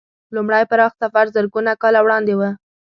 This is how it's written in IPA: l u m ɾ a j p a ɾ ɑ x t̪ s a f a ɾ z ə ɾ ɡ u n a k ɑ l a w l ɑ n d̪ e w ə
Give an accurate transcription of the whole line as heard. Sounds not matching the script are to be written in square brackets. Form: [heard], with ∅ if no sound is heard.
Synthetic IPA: l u m [ɽ] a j p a ɾ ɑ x t̪ s a f a ɾ z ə ɾ ɡ u n a k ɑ l a w [ɽ] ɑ n d̪ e w ə